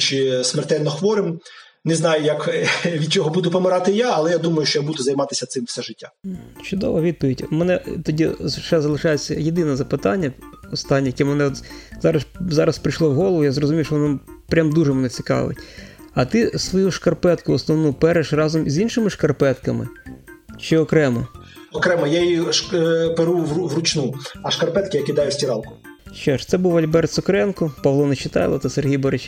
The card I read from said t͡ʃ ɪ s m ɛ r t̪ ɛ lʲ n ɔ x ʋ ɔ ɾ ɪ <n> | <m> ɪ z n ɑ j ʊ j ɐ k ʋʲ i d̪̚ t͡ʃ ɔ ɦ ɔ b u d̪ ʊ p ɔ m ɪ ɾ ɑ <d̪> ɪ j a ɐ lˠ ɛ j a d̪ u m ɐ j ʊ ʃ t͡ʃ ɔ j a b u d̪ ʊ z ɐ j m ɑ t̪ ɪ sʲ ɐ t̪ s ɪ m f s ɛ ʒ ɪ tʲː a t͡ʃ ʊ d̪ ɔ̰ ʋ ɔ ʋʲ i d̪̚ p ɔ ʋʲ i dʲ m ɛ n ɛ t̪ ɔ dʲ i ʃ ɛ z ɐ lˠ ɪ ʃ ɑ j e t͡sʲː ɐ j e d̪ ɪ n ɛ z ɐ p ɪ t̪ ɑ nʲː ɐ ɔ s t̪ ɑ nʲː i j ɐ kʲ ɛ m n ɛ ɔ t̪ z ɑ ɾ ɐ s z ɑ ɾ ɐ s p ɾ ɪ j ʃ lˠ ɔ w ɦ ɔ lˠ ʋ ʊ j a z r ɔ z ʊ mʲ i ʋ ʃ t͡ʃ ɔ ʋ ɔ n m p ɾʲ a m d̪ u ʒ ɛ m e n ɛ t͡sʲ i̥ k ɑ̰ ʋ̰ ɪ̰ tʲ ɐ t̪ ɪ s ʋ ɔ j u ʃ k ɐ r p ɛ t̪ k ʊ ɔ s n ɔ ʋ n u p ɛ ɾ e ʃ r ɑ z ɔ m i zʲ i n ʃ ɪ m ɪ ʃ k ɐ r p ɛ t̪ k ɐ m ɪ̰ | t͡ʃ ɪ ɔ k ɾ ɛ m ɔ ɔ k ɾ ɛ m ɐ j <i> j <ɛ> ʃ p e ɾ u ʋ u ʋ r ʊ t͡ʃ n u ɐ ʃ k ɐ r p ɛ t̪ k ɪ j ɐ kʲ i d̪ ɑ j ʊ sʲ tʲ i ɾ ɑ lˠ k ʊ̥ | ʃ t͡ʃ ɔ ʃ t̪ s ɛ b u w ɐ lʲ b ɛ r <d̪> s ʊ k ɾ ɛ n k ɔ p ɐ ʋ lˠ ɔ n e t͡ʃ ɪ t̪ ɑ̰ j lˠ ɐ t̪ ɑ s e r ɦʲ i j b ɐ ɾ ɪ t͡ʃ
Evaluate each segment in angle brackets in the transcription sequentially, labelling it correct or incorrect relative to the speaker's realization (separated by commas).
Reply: incorrect, incorrect, incorrect, incorrect, incorrect, incorrect